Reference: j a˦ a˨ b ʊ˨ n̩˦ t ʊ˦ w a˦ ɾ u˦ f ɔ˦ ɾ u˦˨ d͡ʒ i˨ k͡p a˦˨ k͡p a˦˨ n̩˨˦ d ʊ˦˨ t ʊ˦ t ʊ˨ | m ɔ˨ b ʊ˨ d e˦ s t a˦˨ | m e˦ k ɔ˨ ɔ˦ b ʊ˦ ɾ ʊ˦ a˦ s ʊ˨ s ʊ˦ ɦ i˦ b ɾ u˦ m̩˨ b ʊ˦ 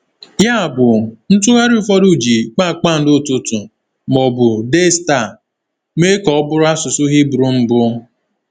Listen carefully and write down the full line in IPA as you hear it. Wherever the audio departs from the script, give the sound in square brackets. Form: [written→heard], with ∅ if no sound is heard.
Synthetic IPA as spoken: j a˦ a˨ b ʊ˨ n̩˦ t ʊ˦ [w→ɣ] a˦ ɾ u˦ f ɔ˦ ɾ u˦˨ d͡ʒ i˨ k͡p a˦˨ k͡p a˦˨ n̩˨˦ d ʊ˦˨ t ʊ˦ t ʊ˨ | m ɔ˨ b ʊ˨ d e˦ s t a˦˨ | m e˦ k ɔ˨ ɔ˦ b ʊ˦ ɾ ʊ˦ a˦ s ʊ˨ s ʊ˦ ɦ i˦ b ɾ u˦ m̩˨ b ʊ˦